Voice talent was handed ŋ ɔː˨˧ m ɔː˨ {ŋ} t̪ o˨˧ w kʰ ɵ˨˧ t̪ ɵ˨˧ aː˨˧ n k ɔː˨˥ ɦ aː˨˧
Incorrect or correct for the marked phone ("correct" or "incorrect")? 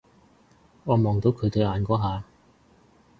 correct